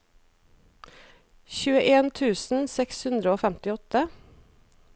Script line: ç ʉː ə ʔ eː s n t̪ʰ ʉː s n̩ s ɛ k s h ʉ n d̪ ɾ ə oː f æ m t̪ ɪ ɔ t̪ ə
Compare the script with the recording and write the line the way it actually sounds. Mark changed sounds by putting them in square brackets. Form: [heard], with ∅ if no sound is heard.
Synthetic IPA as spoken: ç ʉː ə ʔ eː [∅] n t̪ʰ ʉː s n̩ s ɛ k s h ʉ n d̪ ɾ ə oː f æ m t̪ ɪ ɔ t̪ ə